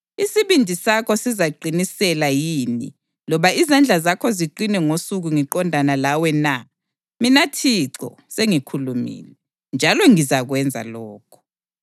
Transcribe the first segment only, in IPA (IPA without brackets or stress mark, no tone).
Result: i